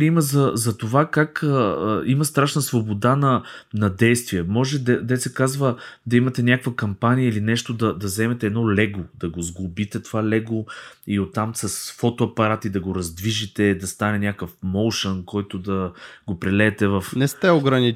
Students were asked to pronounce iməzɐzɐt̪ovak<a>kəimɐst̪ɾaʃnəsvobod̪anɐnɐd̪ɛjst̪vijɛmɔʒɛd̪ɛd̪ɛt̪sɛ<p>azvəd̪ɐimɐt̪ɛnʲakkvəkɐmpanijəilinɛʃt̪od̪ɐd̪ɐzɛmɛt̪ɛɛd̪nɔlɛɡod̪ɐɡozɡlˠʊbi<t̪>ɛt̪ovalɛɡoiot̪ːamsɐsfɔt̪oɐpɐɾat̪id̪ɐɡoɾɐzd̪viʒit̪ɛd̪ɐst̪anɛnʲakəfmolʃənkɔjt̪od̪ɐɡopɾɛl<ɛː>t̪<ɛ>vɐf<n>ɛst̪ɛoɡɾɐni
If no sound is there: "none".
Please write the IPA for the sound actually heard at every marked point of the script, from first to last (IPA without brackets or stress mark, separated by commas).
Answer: a, k, t̪, ɛː, ɛ, n